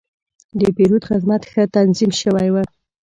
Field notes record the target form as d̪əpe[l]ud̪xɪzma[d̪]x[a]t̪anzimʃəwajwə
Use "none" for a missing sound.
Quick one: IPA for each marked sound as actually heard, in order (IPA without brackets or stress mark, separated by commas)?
ɾ, t̪, ə